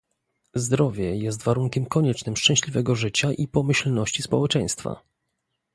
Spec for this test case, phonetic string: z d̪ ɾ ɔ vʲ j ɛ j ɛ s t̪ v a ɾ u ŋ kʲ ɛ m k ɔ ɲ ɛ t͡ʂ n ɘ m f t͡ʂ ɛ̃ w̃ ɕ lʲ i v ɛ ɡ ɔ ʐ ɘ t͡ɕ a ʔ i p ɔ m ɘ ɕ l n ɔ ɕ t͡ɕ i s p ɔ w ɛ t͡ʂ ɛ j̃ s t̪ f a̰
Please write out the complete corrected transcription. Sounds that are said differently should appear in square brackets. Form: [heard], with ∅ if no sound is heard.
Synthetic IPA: z d̪ ɾ ɔ vʲ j ɛ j ɛ s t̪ v a ɾ u ŋ kʲ ɛ m k ɔ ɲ ɛ t͡ʂ n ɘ m [ʂ] t͡ʂ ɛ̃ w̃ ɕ lʲ i v ɛ ɡ ɔ ʐ ɘ t͡ɕ a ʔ i p ɔ m ɘ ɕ l n ɔ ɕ t͡ɕ i s p ɔ w ɛ t͡ʂ ɛ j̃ s t̪ f a̰